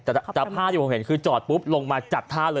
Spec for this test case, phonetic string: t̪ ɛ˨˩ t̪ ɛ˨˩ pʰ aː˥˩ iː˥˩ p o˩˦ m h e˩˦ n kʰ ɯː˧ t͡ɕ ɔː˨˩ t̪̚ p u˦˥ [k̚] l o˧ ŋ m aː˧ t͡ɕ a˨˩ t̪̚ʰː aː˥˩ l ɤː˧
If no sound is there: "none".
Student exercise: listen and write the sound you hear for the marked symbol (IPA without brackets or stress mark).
p̚